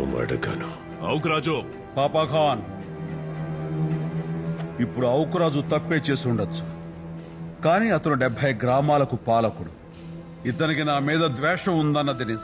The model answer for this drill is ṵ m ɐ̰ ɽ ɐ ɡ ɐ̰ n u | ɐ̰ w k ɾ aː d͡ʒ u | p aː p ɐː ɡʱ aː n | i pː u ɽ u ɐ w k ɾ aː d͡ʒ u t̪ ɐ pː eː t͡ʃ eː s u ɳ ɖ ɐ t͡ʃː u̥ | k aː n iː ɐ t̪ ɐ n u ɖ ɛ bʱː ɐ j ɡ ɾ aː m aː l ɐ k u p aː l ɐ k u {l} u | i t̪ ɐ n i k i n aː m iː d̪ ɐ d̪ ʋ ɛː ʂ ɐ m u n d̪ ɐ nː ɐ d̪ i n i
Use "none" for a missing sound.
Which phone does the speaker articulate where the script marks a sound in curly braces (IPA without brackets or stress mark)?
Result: ɽ